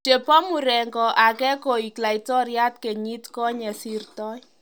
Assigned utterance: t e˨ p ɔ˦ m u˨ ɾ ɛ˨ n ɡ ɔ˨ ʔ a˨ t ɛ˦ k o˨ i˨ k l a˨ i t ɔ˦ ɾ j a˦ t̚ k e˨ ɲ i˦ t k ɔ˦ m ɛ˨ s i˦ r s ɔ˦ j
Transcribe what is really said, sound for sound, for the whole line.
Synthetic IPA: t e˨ p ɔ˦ m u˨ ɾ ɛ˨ ŋ ɡ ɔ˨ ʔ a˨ k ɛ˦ k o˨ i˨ k l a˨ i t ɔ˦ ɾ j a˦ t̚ k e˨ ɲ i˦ t k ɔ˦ ɲ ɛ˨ s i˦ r t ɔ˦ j